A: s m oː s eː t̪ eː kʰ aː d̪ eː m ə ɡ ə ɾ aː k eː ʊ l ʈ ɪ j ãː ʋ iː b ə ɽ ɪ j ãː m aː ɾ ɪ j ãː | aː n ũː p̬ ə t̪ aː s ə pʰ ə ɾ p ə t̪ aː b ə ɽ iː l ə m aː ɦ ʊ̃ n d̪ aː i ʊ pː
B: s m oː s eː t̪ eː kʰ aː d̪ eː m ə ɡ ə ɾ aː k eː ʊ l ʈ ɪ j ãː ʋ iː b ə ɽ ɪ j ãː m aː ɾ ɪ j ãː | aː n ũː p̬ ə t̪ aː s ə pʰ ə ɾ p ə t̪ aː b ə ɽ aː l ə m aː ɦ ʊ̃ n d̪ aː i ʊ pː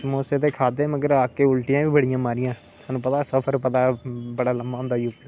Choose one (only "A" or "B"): B